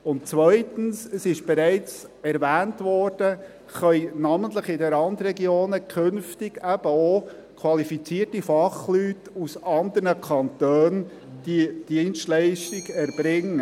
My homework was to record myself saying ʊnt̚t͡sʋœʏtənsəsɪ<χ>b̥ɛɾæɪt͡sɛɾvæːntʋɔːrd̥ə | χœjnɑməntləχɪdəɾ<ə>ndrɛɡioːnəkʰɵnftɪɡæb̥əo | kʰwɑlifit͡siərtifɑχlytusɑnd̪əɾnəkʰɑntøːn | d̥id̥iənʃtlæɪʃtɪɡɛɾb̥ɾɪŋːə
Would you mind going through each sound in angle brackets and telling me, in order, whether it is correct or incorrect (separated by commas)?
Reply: incorrect, incorrect